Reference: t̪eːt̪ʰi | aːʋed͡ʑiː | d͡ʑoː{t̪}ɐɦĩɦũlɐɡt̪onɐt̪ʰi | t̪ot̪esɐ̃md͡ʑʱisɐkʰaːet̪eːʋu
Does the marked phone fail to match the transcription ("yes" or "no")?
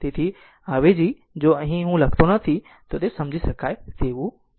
yes